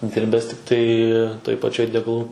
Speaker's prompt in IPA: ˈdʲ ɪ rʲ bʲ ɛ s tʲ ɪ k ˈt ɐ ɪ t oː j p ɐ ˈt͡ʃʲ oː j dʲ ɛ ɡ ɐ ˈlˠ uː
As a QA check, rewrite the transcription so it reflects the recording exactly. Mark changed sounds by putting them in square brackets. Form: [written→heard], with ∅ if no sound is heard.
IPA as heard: ˈdʲ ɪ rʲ bʲ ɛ s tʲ ɪ k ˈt ɐ ɪ t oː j p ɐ ˈt͡ʃʲ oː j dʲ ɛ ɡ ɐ ˈlˠ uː